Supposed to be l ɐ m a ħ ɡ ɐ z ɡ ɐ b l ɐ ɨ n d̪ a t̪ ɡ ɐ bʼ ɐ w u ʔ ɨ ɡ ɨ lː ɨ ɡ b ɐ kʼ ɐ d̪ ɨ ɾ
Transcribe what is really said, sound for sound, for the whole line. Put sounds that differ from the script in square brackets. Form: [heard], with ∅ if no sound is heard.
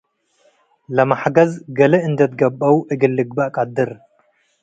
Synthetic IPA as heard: l ɐ m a ħ ɡ ɐ z ɡ ɐ [∅] l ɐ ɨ n d̪ [ɐ] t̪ ɡ ɐ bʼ ɐ w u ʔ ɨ ɡ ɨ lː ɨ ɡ b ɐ kʼ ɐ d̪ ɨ ɾ